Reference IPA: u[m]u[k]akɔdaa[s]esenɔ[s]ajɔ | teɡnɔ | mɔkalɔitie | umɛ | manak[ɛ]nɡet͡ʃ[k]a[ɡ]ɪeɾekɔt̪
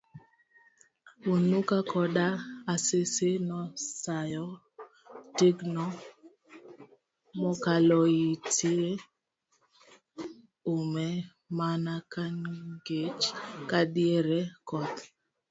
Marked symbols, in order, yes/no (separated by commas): no, yes, yes, yes, no, yes, no